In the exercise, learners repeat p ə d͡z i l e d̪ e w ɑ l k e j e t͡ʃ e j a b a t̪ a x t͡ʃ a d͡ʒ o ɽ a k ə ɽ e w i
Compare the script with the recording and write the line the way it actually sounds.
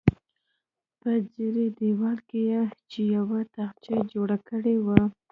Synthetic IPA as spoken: p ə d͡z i ɾ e d̪ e w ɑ l k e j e t͡ʃ e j a w a t̪ a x t͡ʃ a d͡ʒ o ɽ a k ə ɽ e w a